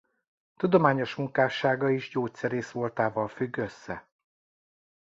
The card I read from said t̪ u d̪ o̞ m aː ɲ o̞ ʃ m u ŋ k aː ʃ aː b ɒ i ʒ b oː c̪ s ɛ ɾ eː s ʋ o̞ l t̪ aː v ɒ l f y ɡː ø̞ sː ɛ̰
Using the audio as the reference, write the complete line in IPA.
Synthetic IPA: t̪ u d̪ o̞ m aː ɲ o̞ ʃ m u ŋ k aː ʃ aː ɡ ɒ i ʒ ɟ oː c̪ s ɛ ɾ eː s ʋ o̞ l t̪ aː v ɒ l f y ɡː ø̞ sː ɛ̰